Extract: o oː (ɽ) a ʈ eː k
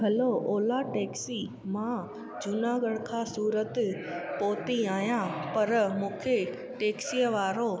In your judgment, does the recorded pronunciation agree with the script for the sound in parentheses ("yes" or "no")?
no